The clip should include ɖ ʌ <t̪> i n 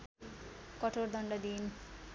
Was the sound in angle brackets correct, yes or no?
no